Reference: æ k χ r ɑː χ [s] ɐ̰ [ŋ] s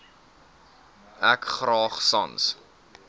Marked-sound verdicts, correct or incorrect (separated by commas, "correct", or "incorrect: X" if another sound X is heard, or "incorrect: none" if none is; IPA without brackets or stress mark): correct, incorrect: n